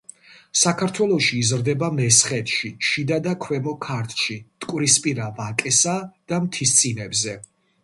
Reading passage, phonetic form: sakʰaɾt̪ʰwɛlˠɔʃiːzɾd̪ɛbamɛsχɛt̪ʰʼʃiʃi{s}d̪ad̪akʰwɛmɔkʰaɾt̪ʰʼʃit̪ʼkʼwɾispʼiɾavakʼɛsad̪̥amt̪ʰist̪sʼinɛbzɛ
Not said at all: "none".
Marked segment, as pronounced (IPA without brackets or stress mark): none